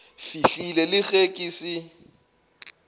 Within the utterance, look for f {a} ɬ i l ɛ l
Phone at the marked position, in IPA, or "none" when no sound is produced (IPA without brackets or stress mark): i